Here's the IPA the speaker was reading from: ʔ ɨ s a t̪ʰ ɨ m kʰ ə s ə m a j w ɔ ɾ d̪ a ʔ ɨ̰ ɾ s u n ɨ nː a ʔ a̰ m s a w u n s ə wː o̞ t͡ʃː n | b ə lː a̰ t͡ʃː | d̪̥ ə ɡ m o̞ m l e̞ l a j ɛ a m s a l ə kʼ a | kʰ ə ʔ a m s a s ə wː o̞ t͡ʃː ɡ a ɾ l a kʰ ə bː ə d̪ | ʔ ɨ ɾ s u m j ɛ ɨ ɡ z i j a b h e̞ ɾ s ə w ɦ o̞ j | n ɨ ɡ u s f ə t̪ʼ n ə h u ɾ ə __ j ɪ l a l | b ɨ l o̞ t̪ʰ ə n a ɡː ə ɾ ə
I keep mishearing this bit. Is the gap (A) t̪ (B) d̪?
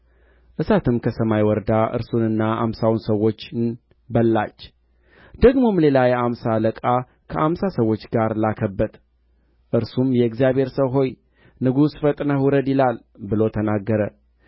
B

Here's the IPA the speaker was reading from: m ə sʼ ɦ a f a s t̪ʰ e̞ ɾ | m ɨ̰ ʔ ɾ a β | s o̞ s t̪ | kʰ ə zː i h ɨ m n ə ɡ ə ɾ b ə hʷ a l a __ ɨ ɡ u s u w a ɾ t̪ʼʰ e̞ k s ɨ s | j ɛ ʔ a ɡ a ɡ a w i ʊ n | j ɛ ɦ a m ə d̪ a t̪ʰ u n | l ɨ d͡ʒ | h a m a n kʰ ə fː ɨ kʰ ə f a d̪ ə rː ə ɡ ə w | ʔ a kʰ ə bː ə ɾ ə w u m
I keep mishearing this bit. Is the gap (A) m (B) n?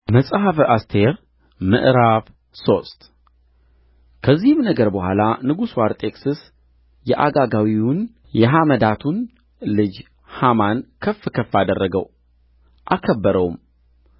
B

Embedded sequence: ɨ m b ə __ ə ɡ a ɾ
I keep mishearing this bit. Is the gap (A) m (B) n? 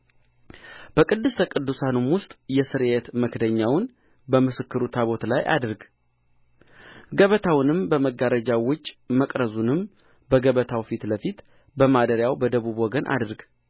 A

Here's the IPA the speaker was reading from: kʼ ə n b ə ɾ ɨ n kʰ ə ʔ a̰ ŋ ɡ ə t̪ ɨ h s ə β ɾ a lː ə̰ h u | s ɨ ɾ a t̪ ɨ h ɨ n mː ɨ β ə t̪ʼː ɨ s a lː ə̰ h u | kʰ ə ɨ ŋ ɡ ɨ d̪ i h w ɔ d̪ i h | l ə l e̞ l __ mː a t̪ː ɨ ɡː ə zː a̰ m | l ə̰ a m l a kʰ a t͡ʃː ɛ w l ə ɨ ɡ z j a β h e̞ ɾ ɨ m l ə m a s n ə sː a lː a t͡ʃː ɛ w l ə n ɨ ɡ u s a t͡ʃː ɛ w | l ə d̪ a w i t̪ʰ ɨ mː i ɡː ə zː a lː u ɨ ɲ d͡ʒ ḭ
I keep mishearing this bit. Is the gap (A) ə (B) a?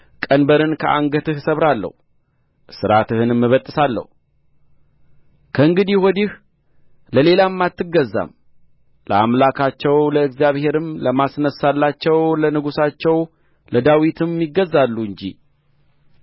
B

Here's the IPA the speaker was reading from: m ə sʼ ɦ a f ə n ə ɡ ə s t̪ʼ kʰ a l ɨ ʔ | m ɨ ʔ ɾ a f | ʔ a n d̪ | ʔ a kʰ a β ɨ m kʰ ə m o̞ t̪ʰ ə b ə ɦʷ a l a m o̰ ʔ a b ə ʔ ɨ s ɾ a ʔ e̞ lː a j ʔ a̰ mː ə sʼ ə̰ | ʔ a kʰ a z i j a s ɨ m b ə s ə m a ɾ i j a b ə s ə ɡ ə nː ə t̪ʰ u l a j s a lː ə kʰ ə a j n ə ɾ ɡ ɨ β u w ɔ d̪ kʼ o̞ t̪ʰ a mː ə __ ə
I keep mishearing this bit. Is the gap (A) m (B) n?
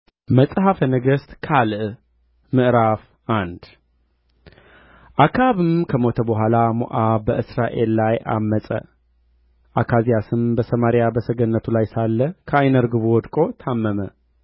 A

